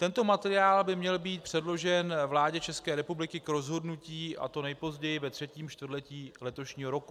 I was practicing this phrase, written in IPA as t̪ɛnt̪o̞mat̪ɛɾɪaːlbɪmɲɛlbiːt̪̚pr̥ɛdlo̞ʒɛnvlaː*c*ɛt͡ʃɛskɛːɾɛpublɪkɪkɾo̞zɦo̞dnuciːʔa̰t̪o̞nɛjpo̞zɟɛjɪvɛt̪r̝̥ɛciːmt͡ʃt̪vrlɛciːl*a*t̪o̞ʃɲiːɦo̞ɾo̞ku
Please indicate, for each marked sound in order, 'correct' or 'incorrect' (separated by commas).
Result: incorrect, incorrect